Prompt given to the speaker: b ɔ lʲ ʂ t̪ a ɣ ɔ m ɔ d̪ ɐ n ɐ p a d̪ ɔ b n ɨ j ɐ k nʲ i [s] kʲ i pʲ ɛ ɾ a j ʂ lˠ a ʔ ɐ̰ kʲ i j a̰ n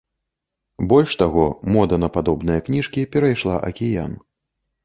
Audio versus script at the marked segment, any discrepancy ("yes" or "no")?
yes